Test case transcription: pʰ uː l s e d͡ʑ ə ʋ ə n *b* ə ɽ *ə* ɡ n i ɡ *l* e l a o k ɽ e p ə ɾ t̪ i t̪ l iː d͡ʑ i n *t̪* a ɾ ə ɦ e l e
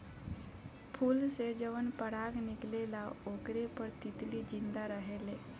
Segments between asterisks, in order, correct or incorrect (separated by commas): incorrect, incorrect, correct, incorrect